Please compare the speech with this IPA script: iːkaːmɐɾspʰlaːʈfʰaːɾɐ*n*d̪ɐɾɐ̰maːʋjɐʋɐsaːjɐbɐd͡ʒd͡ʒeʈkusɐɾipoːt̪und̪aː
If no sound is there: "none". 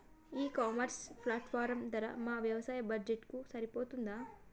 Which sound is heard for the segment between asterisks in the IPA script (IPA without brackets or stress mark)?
m